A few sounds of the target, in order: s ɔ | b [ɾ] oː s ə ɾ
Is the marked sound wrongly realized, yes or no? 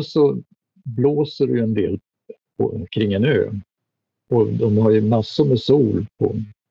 yes